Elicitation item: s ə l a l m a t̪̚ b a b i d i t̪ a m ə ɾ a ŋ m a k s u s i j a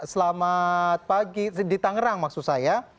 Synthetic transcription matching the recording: s ə l a m a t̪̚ p a ɡ i d i t̪ a ŋ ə ɾ a ŋ m a k s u s a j a